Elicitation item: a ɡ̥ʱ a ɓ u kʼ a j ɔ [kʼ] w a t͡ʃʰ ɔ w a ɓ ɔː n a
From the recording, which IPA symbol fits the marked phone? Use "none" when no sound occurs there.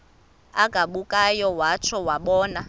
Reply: none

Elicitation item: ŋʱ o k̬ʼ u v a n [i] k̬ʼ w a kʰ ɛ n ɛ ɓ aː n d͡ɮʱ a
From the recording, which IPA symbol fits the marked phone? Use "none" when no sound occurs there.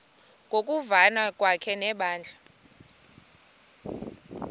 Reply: a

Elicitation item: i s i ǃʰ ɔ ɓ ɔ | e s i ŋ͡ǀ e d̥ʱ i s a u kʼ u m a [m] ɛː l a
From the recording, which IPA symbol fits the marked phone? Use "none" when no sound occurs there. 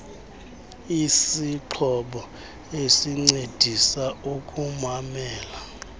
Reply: m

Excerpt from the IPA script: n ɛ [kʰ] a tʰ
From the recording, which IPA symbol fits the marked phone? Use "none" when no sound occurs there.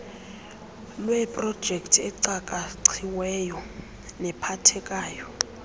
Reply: pʰ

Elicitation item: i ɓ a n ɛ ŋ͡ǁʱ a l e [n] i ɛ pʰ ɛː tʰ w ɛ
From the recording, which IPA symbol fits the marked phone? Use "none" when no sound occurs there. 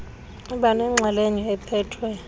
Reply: ɲ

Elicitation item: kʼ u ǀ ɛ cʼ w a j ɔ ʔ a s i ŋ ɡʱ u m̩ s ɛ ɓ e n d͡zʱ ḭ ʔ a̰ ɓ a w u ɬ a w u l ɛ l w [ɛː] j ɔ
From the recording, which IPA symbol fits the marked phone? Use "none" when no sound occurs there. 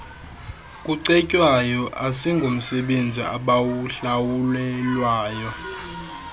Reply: aː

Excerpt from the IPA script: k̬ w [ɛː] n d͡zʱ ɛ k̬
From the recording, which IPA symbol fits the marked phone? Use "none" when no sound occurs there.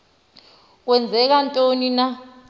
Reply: ɛ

